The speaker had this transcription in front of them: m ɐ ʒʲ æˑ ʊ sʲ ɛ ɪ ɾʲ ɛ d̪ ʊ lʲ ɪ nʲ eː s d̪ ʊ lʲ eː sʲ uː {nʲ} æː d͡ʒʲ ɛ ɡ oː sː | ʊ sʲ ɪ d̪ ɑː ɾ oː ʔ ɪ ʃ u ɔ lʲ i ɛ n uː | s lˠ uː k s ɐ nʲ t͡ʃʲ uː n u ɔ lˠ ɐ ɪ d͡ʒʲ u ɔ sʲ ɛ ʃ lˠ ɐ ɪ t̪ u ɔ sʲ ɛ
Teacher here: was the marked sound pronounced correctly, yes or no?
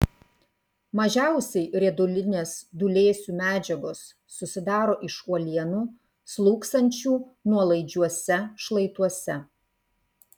no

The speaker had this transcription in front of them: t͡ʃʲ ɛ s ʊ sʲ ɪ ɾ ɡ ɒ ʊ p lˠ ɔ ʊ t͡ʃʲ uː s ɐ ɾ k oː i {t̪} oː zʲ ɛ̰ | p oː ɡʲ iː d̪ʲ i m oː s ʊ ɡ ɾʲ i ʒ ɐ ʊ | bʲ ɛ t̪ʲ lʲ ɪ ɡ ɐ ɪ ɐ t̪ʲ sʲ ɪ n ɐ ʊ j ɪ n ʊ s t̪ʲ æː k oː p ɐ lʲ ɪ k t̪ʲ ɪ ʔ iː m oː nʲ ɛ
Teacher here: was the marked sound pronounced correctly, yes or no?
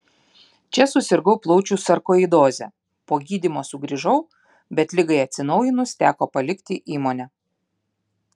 no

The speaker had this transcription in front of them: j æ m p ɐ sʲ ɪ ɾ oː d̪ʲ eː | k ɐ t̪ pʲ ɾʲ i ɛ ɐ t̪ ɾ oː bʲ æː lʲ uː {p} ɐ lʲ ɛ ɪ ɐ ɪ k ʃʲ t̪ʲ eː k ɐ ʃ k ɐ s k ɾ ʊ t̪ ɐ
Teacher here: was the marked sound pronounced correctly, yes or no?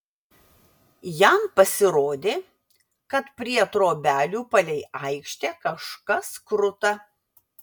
yes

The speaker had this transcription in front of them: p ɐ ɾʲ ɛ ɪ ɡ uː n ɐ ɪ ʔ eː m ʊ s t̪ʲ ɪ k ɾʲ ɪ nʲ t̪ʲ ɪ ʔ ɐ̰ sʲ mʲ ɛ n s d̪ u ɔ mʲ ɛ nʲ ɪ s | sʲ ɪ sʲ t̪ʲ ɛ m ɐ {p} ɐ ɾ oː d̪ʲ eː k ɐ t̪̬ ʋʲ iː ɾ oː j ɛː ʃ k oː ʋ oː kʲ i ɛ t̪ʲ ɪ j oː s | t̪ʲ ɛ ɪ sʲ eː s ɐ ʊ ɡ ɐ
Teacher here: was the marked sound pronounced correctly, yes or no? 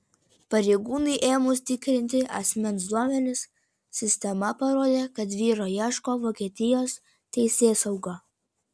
yes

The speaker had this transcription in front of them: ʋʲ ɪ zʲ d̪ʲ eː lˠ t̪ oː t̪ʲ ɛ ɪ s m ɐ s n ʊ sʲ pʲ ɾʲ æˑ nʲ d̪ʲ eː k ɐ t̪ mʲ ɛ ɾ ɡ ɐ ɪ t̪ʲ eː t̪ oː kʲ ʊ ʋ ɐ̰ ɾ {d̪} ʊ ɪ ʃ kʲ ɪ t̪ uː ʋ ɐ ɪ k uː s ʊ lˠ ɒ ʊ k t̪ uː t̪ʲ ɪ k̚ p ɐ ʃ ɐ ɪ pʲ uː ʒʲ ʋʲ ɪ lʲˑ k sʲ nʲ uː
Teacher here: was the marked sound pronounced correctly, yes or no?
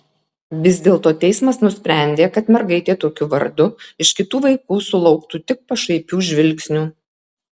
yes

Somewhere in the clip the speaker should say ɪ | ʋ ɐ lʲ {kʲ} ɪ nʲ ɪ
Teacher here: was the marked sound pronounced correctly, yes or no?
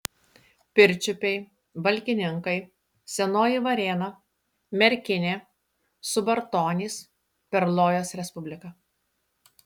yes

